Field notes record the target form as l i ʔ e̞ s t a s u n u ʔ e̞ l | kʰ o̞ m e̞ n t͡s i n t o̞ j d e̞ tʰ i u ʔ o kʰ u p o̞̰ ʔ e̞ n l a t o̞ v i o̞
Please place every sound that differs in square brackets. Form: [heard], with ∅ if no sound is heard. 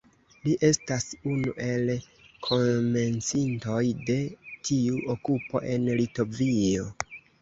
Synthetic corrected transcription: l i ʔ e̞ s t a s u n u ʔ e̞ l | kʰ o̞ m e̞ n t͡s i n t o̞ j d e̞ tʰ i u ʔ o [k] u p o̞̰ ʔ e̞ n l [i] t o̞ v i o̞